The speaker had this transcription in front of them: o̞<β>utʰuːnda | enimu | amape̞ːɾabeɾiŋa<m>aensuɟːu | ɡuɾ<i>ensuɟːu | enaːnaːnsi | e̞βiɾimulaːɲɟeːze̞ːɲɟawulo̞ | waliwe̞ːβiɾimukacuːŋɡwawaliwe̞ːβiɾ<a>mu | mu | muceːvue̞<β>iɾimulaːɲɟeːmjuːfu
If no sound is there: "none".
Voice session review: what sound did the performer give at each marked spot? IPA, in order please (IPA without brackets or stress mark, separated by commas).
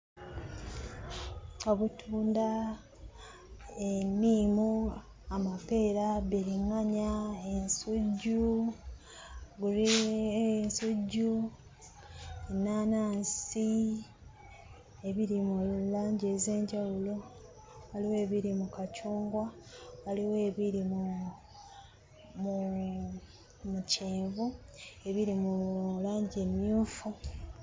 β, ɲ, i, i, β